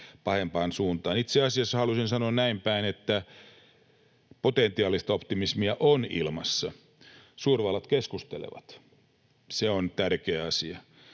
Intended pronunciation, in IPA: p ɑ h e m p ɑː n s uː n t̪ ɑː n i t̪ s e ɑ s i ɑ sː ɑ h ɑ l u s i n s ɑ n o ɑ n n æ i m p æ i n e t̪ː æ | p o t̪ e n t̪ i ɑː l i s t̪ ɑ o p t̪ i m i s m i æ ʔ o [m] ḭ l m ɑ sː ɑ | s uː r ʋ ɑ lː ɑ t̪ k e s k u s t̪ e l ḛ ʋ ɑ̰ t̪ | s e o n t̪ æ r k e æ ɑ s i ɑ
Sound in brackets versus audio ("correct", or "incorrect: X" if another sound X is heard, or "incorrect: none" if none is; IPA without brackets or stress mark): incorrect: n